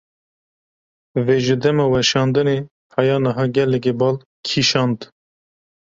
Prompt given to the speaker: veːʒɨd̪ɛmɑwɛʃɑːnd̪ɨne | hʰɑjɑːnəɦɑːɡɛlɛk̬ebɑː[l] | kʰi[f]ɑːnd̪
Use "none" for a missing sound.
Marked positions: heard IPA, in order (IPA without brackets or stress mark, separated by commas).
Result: l, ʃ